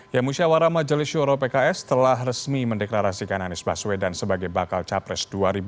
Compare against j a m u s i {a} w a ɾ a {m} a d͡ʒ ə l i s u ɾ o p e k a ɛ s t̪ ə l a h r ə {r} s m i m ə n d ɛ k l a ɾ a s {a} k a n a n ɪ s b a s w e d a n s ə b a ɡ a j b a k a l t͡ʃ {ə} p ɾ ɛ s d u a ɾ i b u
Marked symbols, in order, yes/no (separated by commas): yes, yes, no, no, no